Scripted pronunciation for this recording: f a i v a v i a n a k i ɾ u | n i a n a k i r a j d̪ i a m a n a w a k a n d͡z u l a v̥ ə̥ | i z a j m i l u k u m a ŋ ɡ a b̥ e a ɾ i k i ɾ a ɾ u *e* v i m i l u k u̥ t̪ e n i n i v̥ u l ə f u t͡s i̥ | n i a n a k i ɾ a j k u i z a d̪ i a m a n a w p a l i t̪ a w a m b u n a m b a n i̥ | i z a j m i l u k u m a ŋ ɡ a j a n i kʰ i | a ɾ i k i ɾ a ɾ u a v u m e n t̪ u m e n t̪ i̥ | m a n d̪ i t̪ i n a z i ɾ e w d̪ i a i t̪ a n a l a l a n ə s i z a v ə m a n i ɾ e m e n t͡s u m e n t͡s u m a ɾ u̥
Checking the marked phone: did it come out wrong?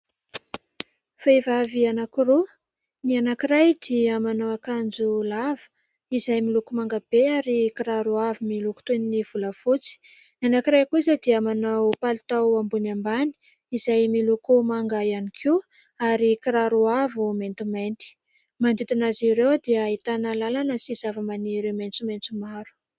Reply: yes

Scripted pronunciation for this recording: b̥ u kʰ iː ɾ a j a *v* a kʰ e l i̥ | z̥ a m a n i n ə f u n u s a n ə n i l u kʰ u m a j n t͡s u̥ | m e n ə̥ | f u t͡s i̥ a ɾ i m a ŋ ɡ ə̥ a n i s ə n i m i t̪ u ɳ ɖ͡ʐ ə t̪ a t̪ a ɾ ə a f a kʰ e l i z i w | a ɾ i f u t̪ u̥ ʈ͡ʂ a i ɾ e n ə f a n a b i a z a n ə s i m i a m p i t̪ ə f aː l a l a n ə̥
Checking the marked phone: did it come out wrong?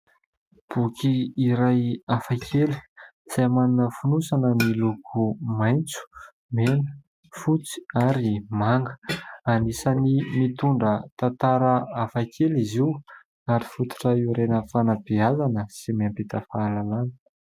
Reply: yes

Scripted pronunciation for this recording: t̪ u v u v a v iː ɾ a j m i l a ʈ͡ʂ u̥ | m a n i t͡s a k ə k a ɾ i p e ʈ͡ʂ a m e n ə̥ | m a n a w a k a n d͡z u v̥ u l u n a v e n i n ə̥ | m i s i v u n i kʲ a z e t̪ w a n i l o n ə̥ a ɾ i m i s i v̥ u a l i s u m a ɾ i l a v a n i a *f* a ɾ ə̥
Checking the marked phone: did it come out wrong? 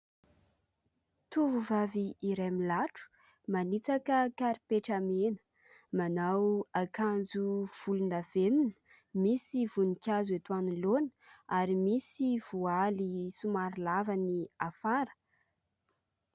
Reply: no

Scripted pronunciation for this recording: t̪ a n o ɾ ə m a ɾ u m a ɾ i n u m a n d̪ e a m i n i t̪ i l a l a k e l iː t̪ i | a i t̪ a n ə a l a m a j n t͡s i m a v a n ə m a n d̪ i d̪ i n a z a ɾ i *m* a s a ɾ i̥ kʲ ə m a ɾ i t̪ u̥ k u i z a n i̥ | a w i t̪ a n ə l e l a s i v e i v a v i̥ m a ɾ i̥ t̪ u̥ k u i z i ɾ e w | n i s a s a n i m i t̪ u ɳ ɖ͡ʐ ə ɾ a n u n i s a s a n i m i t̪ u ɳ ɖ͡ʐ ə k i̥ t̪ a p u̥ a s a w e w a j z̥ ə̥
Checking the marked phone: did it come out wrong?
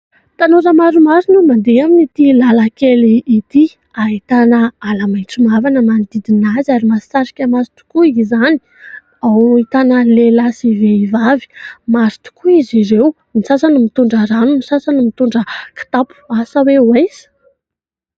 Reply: no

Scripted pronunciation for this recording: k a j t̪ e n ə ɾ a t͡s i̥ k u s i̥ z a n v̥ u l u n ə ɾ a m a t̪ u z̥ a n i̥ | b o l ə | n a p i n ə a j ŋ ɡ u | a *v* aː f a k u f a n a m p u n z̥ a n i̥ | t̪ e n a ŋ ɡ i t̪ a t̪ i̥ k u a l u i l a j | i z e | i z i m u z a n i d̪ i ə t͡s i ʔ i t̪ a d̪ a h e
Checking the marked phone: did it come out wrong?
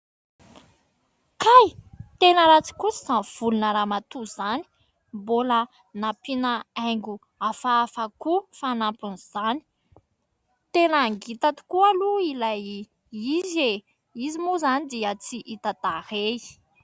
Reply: yes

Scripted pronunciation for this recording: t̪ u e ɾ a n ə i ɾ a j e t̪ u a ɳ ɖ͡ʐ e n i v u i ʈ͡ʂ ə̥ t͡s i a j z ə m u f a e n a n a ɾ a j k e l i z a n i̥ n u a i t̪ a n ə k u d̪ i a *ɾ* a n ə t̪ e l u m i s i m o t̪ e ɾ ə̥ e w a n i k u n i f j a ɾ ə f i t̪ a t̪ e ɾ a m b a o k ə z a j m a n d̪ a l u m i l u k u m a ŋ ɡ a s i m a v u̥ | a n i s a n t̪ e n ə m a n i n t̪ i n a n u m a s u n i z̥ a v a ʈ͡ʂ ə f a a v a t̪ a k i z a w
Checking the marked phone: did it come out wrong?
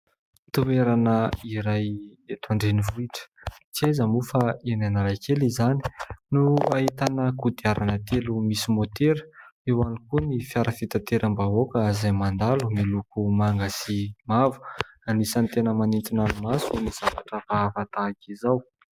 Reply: no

